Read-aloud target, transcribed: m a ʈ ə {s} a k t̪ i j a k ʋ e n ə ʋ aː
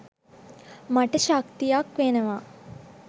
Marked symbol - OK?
no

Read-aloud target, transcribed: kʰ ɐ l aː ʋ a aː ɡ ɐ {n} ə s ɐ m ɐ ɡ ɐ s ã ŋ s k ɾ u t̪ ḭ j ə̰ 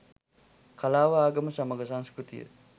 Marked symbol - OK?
no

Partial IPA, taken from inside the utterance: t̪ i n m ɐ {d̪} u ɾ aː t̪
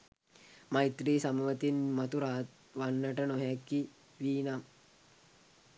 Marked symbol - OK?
no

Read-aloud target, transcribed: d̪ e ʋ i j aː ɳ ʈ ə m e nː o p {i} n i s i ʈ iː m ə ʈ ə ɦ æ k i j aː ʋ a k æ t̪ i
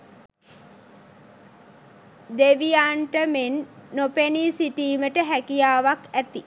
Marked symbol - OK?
no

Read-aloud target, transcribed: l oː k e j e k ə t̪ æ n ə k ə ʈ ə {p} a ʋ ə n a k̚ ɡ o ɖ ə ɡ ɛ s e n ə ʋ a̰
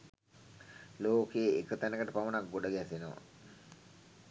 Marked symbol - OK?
yes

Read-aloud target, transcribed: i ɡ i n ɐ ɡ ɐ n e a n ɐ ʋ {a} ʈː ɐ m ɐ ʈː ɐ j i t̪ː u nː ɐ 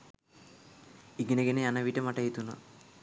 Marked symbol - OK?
no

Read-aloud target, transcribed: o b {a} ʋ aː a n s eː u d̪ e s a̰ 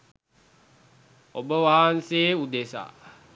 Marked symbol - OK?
no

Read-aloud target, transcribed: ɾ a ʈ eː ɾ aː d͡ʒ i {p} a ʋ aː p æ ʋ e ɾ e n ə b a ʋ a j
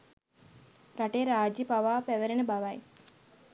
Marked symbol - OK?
yes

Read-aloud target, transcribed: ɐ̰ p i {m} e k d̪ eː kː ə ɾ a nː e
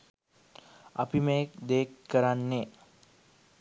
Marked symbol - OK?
yes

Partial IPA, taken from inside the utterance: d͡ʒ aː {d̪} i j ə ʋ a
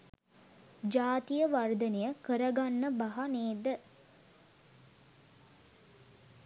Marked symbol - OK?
no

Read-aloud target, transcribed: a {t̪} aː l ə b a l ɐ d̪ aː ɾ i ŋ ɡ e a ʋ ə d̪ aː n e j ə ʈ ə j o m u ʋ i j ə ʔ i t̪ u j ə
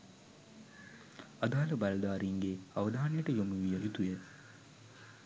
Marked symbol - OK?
no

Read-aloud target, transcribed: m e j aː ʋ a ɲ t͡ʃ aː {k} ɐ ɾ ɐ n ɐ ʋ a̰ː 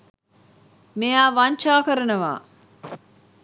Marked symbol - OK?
yes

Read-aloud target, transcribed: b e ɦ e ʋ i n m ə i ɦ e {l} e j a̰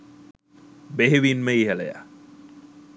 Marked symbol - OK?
yes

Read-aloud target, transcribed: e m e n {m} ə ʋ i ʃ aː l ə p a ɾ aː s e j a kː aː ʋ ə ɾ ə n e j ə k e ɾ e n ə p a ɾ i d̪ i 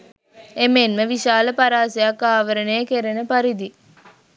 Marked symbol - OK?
yes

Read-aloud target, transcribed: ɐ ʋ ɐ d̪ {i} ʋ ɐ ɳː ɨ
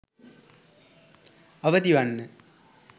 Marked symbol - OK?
yes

